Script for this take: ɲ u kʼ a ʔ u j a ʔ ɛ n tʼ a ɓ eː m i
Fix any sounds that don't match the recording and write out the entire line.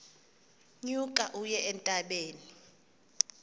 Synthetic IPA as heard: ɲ u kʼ a ʔ u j ɛ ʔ ɛ n tʼ a ɓ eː n i